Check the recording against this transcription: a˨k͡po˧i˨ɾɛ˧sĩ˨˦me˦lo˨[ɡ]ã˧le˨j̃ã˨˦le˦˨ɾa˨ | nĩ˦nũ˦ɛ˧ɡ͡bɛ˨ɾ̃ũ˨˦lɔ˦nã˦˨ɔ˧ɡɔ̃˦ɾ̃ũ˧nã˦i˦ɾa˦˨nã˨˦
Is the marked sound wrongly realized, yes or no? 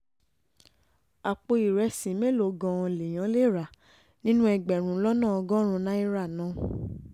no